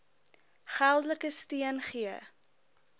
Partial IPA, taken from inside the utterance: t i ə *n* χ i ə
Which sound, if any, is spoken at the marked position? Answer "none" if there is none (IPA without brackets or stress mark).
n